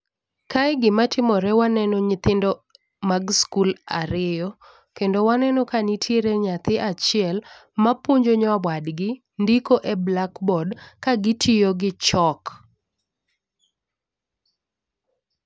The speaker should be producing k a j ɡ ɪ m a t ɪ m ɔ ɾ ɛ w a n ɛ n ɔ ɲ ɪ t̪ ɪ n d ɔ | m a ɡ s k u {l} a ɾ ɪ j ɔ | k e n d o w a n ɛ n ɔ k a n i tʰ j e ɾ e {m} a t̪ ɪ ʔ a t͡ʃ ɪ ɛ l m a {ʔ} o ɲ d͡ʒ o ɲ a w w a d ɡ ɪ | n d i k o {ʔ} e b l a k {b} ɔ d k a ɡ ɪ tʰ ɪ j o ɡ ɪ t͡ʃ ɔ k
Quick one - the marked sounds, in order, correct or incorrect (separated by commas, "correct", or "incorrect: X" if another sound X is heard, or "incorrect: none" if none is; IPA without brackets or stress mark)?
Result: correct, incorrect: ɲ, incorrect: p, correct, correct